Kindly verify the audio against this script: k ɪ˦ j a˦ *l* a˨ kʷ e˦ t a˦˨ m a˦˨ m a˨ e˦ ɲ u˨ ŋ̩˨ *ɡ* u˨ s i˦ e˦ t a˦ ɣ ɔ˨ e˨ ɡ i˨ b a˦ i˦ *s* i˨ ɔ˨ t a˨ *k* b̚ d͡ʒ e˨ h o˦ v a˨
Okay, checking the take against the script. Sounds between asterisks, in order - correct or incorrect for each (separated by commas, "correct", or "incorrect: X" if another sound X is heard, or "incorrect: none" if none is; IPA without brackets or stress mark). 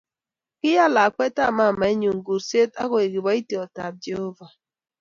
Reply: correct, correct, incorrect: t, incorrect: none